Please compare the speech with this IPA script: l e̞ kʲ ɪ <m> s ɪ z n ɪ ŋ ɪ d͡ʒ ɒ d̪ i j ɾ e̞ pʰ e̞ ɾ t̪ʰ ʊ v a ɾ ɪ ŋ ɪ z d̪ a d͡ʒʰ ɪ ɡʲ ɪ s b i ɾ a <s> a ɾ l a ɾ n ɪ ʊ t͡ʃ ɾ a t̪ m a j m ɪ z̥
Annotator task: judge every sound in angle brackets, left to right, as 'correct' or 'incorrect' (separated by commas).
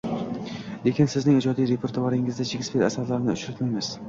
incorrect, correct